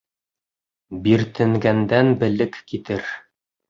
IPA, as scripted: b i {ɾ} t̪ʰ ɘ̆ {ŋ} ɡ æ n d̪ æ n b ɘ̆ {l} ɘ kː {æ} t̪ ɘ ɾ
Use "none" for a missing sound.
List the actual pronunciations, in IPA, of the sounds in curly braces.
ɾ, ŋ, l, i

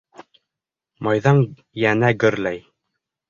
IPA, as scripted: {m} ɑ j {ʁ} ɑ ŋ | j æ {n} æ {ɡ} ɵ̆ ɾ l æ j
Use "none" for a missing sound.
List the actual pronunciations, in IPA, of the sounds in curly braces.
m, ð, n, ɡ

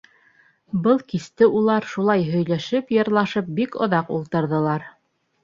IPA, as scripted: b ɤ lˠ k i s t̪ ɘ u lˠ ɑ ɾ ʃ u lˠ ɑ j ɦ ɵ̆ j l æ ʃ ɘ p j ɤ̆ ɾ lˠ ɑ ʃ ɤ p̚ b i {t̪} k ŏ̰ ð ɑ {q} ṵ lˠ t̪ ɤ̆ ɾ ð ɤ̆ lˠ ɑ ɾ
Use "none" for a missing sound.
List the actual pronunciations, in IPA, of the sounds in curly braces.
none, q

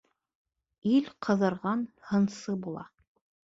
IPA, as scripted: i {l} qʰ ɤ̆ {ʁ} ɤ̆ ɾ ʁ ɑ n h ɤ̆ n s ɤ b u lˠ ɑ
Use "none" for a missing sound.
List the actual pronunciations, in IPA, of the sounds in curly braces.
l, ð

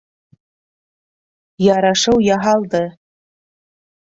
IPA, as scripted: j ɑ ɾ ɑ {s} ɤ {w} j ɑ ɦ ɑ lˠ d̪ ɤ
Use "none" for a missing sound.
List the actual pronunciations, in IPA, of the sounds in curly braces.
ʃ, w

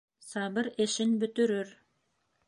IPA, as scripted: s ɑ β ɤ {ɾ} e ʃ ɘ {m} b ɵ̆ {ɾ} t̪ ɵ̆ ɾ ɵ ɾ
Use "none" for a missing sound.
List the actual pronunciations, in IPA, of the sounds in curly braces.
ɾ, n, none

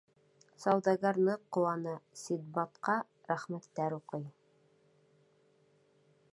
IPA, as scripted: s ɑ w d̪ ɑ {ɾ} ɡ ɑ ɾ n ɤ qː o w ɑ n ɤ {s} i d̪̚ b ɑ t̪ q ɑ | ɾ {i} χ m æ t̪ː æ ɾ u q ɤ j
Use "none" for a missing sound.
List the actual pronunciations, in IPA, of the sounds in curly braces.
none, s, æ

